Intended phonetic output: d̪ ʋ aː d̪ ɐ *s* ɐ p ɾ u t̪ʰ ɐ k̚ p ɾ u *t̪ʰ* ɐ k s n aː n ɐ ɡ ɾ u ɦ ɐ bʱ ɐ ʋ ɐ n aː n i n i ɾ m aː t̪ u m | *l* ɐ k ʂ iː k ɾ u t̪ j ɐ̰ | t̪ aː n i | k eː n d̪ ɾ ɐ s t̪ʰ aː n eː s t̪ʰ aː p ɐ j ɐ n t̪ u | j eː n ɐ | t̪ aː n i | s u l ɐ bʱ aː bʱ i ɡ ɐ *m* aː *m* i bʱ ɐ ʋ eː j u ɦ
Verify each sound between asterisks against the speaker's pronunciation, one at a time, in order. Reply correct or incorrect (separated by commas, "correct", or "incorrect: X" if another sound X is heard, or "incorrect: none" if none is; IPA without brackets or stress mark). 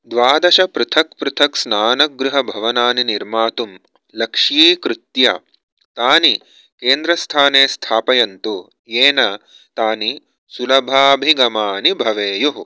incorrect: ʃ, correct, correct, correct, incorrect: n